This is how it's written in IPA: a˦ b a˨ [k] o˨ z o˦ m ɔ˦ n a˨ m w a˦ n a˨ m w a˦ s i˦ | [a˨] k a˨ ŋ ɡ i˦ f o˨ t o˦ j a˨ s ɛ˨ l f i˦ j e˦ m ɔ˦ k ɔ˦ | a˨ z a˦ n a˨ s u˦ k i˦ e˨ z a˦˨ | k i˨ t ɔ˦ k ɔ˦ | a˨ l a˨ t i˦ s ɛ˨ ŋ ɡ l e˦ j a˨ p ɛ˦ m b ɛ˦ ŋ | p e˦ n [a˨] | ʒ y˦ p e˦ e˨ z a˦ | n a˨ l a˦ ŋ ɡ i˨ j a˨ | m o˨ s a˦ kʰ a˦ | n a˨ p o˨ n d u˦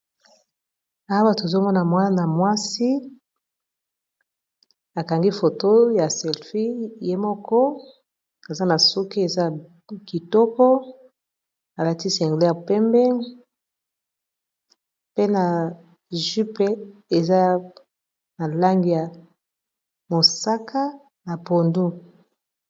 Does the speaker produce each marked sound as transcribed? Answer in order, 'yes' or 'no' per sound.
no, yes, yes

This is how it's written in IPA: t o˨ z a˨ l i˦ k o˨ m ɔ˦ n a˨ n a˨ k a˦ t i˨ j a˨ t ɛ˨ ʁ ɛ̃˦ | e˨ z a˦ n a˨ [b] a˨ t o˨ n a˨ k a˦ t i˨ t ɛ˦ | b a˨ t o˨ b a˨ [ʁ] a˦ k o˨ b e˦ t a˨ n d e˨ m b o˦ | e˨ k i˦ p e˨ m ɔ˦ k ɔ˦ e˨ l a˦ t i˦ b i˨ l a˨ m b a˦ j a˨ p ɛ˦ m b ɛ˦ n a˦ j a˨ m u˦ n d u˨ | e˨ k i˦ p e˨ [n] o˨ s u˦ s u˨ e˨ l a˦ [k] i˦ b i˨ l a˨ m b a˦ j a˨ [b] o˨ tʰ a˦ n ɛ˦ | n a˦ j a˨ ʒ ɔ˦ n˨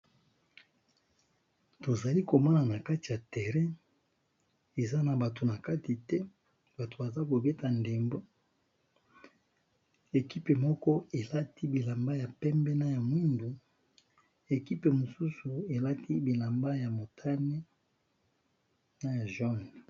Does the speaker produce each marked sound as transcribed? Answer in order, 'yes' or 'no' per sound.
yes, no, no, no, no

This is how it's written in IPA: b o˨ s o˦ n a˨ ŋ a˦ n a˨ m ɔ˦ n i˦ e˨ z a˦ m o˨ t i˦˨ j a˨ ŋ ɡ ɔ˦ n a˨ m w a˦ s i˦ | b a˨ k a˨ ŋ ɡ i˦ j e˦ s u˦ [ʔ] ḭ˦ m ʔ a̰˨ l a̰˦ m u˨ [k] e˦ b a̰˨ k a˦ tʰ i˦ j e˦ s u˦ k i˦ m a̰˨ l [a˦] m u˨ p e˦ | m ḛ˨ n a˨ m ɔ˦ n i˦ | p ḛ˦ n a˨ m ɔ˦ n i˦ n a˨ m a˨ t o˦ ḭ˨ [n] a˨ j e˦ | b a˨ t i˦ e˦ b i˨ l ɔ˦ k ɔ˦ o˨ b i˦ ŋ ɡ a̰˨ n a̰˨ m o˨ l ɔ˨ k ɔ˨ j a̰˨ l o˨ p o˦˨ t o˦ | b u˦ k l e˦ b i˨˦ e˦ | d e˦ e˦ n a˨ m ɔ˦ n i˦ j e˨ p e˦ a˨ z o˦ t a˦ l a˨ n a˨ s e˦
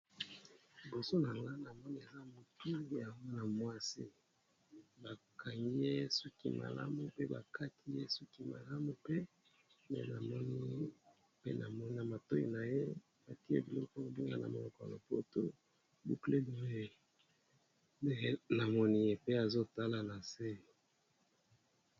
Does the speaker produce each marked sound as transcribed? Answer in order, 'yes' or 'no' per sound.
no, no, yes, yes

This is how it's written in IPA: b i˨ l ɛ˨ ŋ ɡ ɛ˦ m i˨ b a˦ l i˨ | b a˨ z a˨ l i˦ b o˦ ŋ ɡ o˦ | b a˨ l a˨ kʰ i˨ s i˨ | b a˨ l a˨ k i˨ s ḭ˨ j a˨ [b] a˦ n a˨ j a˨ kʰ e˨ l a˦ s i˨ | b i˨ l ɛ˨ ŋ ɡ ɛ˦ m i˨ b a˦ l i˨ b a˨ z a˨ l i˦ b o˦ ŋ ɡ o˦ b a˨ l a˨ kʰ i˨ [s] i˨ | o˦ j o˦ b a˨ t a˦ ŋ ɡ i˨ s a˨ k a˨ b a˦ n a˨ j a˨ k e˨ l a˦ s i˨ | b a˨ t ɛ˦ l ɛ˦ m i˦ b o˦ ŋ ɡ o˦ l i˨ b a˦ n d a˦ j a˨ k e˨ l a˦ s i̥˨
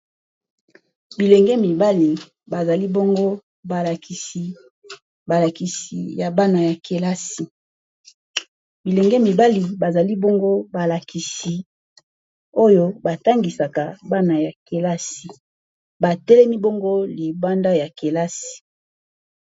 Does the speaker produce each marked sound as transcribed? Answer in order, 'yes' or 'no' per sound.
yes, yes

